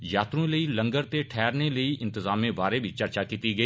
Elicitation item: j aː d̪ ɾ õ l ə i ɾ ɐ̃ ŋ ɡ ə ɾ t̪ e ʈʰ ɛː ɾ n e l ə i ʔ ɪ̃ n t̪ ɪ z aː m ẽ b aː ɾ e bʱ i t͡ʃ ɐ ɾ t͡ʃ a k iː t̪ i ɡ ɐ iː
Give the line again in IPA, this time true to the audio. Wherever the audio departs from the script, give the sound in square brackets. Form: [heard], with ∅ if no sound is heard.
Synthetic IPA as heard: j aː [t̪] ɾ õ l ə i [l] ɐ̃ ŋ ɡ ə ɾ t̪ e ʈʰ ɛː ɾ n e l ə i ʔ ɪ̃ n t̪ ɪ z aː m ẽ b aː ɾ e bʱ i t͡ʃ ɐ ɾ t͡ʃ a k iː t̪ i ɡ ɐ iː